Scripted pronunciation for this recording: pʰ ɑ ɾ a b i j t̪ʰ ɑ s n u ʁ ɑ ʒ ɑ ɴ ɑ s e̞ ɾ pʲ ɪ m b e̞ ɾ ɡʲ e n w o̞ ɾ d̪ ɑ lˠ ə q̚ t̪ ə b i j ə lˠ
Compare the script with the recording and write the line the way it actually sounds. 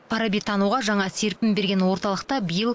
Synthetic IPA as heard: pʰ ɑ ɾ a b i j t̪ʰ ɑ n u ʁ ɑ ʒ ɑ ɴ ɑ s e̞ ɾ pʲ ɪ m b e̞ ɾ ɡʲ e n w o̞ ɾ t̪ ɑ lˠ ə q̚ t̪ ɑ b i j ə lˠ